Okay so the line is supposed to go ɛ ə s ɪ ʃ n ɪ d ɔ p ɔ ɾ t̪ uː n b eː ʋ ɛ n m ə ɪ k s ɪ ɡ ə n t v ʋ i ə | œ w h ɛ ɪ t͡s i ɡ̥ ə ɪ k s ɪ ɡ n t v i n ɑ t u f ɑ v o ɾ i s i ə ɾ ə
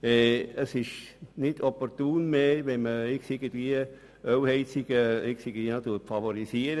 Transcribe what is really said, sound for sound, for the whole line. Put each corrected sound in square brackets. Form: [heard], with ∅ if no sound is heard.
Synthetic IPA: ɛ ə s ɪ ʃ n ɪ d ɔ p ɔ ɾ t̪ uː n [m] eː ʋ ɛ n m ə ɪ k s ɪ ɡ ə n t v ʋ i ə | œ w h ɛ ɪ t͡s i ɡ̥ ə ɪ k s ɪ ɡ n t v i n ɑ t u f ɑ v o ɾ i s i ə ɾ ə